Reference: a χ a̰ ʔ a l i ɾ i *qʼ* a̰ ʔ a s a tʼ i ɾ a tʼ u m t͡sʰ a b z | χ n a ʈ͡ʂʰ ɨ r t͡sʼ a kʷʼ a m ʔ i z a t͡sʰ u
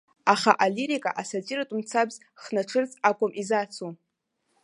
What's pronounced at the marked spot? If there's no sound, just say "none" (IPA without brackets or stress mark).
kʼ